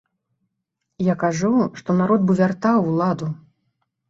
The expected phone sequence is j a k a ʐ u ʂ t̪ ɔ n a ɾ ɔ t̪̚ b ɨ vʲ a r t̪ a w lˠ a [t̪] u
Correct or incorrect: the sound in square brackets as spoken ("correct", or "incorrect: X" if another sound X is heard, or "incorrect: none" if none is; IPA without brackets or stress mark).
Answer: incorrect: d̪